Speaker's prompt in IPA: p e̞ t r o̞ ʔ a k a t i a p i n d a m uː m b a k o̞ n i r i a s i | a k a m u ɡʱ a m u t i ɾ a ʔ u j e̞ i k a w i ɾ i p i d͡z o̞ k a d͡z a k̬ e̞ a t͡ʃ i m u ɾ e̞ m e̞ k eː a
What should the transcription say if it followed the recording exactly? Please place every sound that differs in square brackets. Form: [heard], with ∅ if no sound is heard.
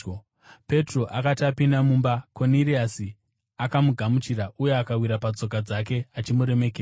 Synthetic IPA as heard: p e̞ t r o̞ ʔ a k a t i a p i n d a m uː m b a k o̞ n i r i a s i | a k a m u ɡʱ a m u [t͡ʃ] i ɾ a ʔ u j e̞ [a] k a w i ɾ [a] p [a] d͡z o̞ k a d͡z a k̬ e̞ a t͡ʃ i m u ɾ e̞ m e̞ k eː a